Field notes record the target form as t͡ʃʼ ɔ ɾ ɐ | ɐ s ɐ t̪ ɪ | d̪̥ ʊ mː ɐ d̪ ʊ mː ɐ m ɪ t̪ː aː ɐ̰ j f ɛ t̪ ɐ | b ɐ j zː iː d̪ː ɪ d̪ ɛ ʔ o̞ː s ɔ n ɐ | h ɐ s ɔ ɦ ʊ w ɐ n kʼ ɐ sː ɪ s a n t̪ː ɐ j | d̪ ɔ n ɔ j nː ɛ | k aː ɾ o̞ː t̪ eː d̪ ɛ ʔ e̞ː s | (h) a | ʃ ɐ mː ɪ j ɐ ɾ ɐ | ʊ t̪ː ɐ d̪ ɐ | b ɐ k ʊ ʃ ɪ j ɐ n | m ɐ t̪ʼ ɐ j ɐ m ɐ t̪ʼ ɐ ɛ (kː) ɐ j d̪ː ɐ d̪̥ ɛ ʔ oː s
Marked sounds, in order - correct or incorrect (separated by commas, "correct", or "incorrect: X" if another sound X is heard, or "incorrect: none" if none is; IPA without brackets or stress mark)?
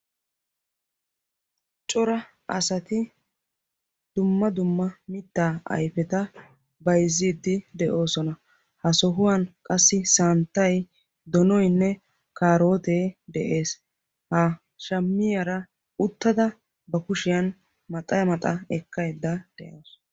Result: correct, correct